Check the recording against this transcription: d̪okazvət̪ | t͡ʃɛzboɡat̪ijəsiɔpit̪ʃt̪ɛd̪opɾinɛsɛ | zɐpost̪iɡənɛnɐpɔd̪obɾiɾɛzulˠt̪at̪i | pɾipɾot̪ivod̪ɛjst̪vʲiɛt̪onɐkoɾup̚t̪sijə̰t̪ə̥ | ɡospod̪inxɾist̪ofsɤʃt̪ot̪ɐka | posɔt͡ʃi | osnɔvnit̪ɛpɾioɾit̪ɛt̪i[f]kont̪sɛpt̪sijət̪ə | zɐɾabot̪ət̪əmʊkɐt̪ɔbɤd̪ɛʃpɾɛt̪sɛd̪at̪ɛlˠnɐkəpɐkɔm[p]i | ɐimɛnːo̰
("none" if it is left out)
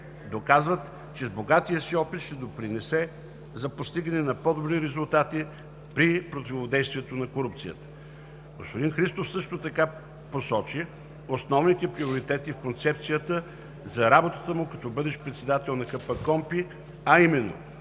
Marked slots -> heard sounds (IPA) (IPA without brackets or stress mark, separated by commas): f, p